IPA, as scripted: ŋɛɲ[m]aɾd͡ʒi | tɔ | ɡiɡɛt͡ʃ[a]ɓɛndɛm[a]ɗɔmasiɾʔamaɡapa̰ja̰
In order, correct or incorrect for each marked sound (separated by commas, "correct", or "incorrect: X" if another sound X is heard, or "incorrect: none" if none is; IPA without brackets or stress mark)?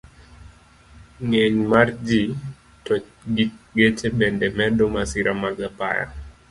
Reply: correct, incorrect: ɛ, incorrect: ɛ